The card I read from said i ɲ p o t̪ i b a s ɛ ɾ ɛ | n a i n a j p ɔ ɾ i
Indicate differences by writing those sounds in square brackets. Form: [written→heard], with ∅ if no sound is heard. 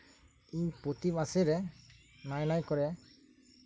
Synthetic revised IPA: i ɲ p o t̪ i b a s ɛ ɾ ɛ | n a [i→j] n a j [p→k] ɔ ɾ [i→ɛ]